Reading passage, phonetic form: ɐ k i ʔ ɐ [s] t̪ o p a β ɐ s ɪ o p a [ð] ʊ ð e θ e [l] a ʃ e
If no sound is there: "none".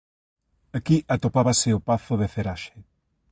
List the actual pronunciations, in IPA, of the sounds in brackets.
none, θ, ɾ

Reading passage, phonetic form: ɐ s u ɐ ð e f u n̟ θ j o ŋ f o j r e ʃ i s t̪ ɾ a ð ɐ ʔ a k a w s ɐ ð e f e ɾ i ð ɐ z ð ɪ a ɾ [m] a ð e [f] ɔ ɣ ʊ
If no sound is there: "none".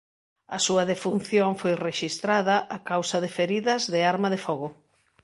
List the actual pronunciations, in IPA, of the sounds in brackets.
m, f

